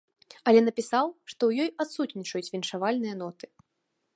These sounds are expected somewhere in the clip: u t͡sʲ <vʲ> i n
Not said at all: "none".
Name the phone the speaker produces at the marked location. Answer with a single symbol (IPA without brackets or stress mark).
vʲ